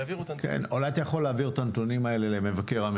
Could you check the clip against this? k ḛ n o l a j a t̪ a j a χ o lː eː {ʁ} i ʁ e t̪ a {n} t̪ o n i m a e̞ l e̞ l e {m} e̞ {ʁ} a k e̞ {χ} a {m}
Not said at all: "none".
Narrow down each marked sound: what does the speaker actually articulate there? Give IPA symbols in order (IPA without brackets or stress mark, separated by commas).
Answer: v, n, m, v, ʁ, m